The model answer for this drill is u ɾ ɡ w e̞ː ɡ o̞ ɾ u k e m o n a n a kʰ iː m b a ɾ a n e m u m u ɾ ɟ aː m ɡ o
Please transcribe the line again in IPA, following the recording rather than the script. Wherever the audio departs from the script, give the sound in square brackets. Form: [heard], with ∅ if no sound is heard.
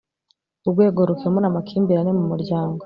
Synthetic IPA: u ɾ ɡ w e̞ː ɡ o̞ ɾ u k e m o n a [m] a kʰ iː m b [i] ɾ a n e m u m u ɾ ɟ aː [ŋ] ɡ o